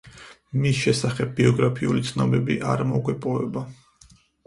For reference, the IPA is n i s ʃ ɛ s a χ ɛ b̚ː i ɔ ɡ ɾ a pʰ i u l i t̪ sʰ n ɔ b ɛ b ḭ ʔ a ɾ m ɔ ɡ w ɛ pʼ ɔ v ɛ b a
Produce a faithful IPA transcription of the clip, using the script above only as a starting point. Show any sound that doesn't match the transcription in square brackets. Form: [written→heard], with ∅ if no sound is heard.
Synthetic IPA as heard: [n→m] i s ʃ ɛ s a χ ɛ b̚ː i ɔ ɡ ɾ a pʰ i u l i t̪ sʰ n ɔ b ɛ b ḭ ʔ a ɾ m ɔ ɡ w ɛ pʼ ɔ v ɛ b a